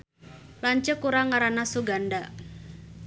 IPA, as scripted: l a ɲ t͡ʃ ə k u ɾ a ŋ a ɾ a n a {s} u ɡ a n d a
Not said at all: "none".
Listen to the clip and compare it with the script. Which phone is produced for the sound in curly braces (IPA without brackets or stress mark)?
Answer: s